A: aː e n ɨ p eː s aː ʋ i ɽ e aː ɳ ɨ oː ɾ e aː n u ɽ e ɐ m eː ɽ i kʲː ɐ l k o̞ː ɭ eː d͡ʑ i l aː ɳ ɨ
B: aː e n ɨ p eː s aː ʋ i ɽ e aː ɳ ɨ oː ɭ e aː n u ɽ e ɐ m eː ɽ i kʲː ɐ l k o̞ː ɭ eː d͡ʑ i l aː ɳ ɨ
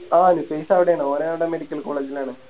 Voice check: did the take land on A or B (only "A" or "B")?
A